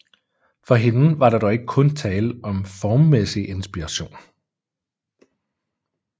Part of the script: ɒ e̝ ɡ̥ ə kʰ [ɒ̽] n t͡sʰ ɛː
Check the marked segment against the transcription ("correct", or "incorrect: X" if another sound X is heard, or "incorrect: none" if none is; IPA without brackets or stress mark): incorrect: ɔ̽